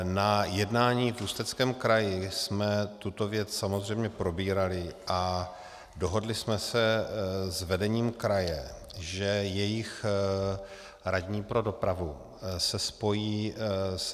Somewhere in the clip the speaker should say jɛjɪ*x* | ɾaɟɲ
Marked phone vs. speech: correct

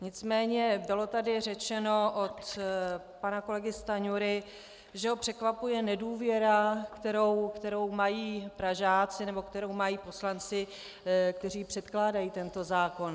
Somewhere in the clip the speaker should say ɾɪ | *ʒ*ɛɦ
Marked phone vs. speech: correct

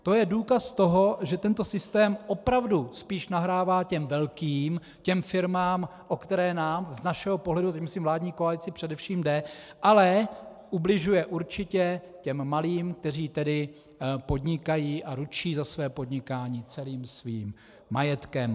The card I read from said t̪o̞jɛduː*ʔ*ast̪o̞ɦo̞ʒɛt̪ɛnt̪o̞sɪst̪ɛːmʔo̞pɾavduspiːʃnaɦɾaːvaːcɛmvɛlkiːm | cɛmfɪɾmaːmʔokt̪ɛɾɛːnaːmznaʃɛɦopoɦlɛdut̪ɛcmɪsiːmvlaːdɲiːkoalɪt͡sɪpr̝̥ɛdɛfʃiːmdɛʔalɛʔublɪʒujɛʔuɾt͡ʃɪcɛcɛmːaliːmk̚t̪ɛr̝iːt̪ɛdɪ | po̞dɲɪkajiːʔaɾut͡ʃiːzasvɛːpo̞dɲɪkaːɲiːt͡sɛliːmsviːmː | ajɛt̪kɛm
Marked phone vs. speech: incorrect: k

